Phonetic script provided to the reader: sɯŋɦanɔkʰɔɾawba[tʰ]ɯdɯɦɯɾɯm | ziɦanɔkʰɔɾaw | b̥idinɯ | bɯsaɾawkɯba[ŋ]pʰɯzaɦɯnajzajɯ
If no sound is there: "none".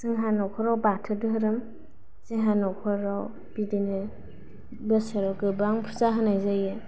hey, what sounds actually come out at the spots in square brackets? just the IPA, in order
tʰ, ŋ

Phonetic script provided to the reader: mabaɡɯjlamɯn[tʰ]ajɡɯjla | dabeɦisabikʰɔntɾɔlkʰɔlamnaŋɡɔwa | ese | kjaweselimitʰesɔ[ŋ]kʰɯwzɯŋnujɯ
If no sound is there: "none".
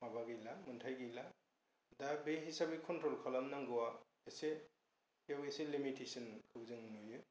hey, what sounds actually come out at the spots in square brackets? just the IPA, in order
tʰ, n

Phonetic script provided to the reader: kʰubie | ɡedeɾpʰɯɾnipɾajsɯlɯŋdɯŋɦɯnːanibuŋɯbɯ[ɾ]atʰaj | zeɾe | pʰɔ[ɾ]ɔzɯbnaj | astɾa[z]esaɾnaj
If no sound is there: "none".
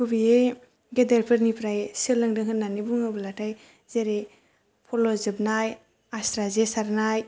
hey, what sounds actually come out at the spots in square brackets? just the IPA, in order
l, l, z

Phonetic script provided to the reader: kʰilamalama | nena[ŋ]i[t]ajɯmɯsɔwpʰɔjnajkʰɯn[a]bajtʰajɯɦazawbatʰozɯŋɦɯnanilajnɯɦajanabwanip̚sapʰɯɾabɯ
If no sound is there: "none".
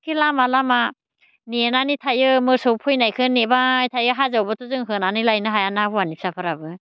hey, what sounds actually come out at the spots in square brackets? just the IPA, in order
n, tʰ, e

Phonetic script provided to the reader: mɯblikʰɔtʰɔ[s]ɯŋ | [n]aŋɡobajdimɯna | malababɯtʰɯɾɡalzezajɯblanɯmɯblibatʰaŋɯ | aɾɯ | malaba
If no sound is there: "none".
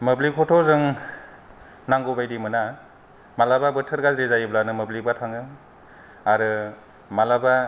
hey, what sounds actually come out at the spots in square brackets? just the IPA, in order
z, n

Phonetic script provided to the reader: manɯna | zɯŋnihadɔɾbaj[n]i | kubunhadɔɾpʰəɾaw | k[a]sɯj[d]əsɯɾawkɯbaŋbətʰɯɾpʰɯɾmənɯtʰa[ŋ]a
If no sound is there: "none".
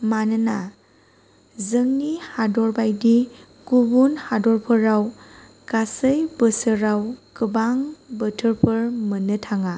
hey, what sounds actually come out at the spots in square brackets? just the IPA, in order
d, a, b, ŋ

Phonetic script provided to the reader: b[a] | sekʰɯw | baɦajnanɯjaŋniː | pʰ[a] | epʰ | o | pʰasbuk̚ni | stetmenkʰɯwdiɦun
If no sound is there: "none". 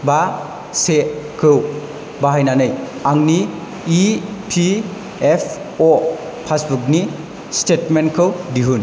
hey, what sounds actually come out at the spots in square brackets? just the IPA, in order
a, i

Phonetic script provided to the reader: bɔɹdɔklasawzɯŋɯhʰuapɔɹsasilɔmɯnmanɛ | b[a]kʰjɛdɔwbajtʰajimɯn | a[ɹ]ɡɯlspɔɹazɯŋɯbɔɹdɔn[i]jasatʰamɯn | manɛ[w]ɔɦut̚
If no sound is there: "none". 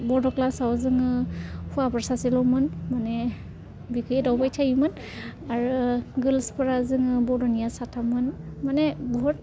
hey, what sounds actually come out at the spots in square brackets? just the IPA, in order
i, ɹ, i, b

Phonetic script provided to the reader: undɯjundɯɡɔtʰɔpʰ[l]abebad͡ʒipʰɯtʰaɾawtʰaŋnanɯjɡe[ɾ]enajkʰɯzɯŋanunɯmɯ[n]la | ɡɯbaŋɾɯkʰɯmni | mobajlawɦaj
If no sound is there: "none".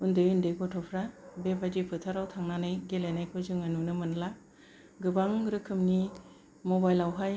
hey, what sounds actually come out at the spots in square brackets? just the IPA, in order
ɾ, l, n

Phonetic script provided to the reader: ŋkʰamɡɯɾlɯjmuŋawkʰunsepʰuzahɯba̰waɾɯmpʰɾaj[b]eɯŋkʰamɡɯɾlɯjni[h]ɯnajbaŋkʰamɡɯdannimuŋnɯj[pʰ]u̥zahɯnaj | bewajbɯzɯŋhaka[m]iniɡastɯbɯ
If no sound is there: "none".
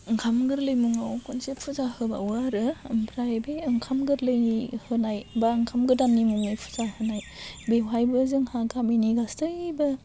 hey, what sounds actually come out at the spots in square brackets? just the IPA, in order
b, h, pʰ, m

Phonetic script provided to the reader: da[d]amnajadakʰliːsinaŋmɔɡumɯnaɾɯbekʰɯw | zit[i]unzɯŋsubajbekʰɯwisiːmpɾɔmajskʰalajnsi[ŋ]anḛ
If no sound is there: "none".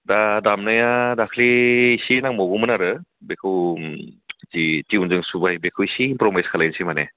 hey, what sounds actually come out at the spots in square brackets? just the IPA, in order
d, i, m

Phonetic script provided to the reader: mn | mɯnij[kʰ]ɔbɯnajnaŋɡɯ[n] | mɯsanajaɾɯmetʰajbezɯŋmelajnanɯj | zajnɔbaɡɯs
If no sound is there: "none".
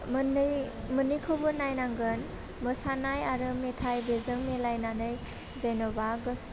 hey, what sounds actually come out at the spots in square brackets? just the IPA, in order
kʰ, n

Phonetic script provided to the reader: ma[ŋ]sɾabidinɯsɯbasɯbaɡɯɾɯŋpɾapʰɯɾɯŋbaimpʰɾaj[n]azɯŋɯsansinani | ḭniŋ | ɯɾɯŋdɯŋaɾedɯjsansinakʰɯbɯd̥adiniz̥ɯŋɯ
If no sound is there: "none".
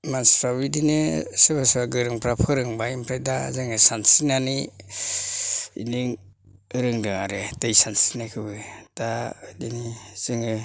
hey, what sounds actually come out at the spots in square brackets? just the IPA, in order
n, d

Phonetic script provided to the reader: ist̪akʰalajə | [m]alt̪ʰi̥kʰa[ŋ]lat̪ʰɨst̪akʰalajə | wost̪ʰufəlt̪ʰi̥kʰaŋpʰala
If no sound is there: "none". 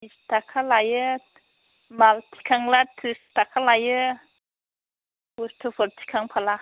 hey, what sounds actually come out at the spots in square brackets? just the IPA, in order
m, ŋ

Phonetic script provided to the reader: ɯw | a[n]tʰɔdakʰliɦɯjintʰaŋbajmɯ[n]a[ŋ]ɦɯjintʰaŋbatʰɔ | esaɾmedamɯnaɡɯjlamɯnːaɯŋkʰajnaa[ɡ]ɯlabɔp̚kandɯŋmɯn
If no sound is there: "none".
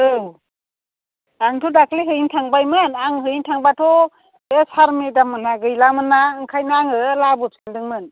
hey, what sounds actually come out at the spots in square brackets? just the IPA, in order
ŋ, n, ŋ, ŋ

